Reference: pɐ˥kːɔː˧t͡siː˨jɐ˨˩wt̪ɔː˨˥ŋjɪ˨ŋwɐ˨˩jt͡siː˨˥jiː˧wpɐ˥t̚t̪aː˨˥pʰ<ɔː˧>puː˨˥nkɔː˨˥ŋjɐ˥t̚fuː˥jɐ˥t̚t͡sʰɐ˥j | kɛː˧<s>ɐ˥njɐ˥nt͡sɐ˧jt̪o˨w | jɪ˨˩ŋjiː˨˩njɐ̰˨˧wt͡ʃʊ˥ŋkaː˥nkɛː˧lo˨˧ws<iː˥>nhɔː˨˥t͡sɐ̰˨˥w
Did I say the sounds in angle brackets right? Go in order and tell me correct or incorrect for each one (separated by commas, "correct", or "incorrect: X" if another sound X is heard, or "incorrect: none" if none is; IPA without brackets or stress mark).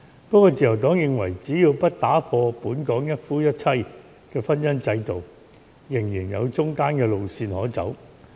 correct, incorrect: f, incorrect: iː˧